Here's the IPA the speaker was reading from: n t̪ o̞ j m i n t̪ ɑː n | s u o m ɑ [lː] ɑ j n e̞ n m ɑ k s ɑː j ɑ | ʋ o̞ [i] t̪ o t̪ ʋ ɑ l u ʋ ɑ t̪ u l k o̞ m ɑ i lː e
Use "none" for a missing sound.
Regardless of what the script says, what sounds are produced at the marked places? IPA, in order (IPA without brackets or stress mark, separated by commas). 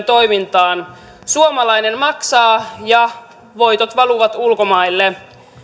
l, j